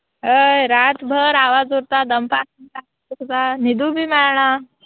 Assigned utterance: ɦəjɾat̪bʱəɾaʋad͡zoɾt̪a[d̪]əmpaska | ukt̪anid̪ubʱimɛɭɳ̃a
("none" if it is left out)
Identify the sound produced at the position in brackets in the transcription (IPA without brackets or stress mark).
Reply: d̪